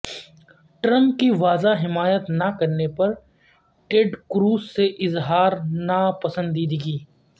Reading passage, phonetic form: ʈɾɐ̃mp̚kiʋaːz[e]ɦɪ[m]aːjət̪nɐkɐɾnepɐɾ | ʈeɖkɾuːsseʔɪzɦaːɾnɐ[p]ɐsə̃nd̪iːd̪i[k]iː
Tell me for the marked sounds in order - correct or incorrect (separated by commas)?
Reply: incorrect, correct, correct, incorrect